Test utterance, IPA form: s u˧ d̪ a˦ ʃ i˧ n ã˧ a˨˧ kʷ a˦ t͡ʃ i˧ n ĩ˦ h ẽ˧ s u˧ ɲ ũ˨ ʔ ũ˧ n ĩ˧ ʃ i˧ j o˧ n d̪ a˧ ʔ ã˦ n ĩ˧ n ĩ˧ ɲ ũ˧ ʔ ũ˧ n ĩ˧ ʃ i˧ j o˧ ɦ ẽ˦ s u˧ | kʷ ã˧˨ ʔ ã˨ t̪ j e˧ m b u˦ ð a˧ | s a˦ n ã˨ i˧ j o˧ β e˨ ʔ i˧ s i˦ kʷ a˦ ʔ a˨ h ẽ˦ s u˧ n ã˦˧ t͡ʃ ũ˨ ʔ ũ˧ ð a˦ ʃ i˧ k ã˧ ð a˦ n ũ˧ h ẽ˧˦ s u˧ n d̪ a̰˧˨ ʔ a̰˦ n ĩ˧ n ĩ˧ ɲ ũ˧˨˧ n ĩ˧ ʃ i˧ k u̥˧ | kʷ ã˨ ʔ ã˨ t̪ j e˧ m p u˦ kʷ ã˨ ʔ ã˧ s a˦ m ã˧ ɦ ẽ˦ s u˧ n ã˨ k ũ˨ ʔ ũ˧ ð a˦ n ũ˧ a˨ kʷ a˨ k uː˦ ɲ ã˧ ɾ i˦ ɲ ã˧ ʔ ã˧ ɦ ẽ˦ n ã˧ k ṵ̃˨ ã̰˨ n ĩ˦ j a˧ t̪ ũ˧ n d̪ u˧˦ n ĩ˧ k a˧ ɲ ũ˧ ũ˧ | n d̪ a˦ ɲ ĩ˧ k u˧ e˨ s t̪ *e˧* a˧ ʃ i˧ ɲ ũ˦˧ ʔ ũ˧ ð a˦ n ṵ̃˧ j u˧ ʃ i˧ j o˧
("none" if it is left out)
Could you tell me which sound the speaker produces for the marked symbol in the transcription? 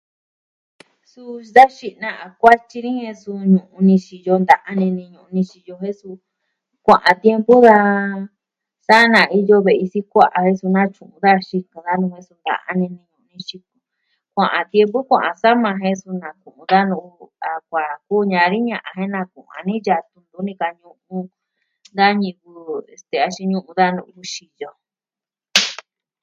e˧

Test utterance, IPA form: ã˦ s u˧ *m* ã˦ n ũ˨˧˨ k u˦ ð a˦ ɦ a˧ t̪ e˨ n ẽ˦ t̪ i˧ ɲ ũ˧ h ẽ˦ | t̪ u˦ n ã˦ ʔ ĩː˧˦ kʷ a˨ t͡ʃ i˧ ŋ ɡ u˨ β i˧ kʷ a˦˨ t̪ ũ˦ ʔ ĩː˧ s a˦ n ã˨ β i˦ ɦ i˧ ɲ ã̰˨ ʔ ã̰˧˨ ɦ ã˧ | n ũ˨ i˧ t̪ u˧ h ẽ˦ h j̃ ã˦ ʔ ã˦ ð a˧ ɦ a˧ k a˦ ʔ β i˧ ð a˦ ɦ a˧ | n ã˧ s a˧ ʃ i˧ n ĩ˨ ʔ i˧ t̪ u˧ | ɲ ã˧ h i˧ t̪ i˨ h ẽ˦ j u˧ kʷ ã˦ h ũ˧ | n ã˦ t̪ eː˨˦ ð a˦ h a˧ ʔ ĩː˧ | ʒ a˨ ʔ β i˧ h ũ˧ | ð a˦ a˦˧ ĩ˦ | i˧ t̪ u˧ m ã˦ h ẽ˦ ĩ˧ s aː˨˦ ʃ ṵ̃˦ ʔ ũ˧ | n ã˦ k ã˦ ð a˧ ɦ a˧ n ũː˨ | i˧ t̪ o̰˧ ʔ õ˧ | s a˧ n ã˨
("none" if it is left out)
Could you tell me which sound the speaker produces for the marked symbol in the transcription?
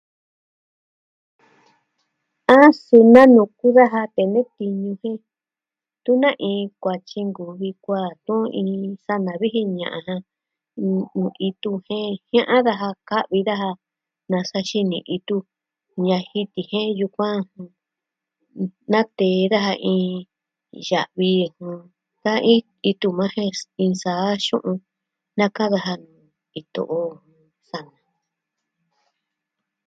n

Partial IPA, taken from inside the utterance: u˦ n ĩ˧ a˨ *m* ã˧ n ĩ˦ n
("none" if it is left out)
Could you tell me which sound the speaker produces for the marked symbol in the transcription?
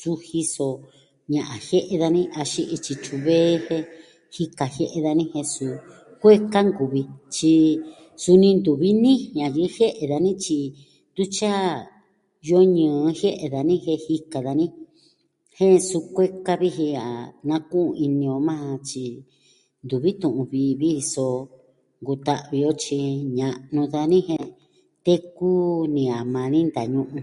m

